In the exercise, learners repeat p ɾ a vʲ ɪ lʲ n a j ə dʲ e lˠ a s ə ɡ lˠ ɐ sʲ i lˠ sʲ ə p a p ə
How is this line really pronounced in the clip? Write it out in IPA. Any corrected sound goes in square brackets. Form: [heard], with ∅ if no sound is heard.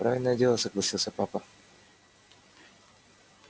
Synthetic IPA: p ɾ a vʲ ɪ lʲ n [ə] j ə dʲ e lˠ [ə] s ə ɡ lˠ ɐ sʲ i lˠ sʲ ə p a p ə

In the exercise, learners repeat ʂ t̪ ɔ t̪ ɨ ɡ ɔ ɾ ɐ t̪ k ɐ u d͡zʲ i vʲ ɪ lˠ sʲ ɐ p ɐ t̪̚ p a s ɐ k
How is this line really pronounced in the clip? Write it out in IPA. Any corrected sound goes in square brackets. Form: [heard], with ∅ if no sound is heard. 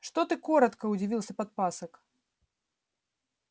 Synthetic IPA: ʂ t̪ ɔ t̪ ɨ [k] ɔ ɾ ɐ t̪ k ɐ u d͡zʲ i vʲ [i] lˠ sʲ ɐ p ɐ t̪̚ p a s ɐ k

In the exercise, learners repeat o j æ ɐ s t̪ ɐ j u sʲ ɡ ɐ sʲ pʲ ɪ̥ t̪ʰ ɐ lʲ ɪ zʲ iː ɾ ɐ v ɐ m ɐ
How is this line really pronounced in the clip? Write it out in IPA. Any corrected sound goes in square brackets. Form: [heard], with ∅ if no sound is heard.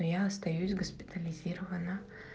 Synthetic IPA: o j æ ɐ s t̪ ɐ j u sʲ ɡ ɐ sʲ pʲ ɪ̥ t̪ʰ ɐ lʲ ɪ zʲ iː ɾ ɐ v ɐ [n] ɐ

